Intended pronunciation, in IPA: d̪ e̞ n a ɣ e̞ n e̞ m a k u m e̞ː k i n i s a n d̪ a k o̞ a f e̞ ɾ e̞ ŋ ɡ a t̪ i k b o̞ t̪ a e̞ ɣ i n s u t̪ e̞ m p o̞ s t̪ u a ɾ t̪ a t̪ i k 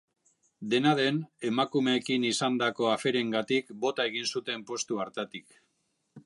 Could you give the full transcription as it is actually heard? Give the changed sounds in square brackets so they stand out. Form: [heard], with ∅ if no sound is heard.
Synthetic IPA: d̪ e̞ n a [ð] e̞ n e̞ m a k u m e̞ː k i n i s a n d̪ a k o̞ a f e̞ ɾ e̞ ŋ ɡ a t̪ i k b o̞ t̪ a e̞ ɣ i n s u t̪ e̞ m p o̞ s t̪ u a ɾ t̪ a t̪ i k